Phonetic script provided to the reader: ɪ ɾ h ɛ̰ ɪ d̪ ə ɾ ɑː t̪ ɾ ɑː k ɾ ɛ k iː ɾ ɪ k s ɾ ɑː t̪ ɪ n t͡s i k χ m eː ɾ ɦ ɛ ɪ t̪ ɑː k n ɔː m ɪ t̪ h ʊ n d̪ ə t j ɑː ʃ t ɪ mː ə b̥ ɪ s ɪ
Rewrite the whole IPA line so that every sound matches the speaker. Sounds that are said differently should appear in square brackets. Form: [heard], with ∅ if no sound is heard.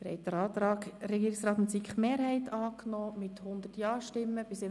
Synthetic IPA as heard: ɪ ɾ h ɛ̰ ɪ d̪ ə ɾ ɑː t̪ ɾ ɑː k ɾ ɛ [ɡ] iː ɾ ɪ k s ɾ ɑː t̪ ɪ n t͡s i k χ m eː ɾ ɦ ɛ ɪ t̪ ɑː k n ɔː m ɪ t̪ h ʊ n d̪ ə t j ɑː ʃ t ɪ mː ə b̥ ɪ s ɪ